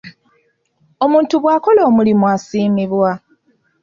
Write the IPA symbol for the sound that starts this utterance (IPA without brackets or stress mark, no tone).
o̞